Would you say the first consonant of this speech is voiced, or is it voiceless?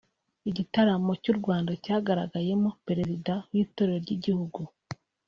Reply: voiced